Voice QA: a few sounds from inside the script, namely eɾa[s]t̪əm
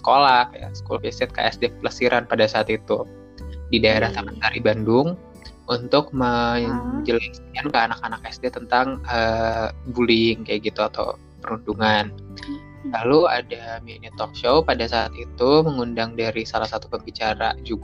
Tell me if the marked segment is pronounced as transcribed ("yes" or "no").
no